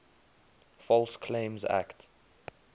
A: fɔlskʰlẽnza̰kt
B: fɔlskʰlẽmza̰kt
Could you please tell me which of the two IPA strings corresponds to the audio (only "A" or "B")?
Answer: B